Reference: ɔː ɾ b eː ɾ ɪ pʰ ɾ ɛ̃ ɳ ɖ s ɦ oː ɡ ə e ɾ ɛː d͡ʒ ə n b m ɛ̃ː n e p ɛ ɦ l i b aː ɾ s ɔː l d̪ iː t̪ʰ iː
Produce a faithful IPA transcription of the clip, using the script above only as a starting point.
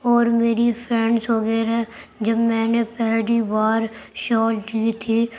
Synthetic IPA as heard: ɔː ɾ m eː ɾ i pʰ ɾ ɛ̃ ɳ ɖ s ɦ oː ɡ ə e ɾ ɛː d͡ʒ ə b m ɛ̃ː n e p ɛ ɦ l i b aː ɾ ʃ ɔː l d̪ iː t̪ʰ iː